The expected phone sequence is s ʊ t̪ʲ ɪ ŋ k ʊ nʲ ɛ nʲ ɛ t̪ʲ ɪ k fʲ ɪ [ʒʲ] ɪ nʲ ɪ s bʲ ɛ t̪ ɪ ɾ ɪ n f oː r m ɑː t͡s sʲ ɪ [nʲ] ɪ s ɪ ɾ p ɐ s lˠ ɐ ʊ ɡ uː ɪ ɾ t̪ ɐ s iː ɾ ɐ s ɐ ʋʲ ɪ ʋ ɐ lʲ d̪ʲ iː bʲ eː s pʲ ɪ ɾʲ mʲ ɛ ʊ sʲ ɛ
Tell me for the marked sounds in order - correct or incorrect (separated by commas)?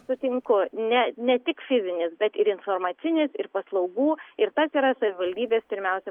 incorrect, correct